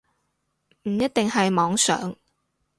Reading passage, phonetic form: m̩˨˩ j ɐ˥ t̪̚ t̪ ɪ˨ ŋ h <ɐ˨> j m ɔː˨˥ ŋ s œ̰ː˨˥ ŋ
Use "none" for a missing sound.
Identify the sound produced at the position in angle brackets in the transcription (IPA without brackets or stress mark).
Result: ɐ˨